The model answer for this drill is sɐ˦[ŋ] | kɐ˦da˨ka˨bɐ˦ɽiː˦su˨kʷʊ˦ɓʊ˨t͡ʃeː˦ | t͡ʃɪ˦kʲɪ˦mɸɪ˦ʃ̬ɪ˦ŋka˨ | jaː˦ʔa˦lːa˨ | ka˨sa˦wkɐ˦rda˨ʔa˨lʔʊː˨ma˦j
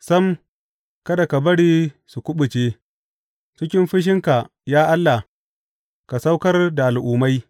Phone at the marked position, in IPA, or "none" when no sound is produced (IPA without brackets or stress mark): m